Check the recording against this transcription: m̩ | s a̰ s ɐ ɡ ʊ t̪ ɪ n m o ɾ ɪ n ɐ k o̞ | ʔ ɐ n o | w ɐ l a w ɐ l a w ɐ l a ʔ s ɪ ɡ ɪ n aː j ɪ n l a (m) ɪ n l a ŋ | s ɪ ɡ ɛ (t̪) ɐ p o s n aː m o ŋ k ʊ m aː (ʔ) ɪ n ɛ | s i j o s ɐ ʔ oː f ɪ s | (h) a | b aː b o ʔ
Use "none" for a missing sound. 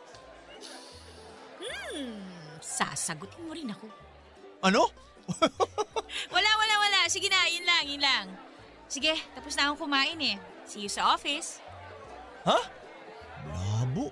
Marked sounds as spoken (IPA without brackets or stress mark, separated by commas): ŋ, t̪, ʔ, h